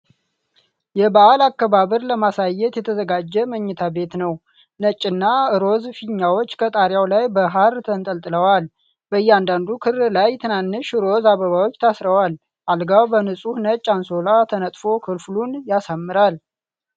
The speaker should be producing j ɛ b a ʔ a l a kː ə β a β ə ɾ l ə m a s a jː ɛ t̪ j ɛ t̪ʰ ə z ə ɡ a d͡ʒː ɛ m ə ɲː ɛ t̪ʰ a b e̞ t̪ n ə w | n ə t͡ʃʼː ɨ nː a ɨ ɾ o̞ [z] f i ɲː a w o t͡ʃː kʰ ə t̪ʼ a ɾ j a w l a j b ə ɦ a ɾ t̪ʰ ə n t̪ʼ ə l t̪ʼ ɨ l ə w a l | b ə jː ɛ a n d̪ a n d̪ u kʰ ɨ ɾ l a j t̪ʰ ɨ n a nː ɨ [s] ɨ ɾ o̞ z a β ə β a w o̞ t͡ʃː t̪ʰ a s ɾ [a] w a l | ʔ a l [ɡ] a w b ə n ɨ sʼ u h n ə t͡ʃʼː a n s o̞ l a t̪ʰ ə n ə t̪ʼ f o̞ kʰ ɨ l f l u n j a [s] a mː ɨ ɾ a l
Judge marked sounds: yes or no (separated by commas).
yes, no, no, yes, yes